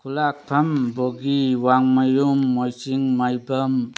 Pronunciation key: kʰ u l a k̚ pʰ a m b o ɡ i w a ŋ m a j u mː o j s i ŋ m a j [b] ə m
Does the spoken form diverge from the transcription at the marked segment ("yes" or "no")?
no